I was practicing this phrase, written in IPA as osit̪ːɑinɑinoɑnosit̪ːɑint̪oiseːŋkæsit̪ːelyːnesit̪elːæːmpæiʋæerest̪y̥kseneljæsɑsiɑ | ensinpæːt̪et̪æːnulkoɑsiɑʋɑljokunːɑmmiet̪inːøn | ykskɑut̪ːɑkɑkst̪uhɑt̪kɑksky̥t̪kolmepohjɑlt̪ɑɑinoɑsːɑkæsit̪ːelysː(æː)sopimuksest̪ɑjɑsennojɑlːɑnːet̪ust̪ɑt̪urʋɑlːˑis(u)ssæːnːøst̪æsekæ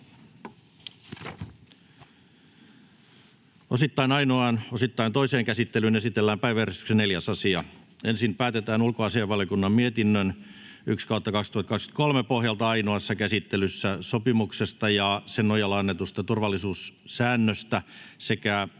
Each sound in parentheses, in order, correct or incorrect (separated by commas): incorrect, incorrect